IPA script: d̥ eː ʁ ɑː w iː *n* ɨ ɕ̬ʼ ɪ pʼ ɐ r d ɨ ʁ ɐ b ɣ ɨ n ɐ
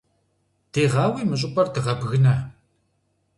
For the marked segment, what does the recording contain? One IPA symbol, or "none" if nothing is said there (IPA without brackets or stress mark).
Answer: m